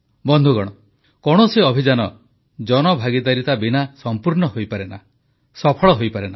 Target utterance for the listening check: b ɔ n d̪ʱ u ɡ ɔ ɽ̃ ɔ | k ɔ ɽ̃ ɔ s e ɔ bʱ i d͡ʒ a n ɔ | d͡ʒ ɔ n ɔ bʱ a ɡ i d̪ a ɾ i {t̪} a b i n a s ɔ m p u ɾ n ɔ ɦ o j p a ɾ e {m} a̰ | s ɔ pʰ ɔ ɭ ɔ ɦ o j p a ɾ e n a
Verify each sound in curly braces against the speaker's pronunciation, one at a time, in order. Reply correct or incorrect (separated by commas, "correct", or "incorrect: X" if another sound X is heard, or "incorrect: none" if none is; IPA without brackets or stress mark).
correct, incorrect: n